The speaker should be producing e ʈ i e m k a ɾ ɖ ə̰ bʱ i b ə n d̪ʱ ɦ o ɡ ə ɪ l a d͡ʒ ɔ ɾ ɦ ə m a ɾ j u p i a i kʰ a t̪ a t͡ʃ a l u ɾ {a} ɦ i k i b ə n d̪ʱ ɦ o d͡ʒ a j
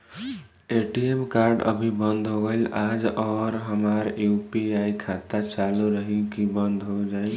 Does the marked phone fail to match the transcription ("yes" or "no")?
yes